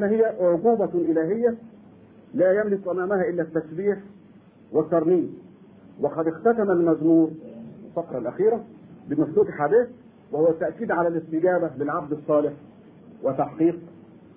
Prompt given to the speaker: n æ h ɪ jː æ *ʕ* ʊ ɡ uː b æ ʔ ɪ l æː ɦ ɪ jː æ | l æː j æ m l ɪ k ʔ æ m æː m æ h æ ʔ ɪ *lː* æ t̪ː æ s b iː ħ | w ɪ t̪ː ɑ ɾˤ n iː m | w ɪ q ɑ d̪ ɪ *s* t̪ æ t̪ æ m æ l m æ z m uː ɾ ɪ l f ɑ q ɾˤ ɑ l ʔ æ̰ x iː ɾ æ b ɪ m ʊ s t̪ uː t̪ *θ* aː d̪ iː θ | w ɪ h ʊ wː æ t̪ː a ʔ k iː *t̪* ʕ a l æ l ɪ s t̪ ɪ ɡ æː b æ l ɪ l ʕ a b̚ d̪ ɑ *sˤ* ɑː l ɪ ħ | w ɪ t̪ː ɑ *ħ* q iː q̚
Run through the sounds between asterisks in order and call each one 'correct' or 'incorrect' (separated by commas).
correct, correct, incorrect, incorrect, incorrect, incorrect, correct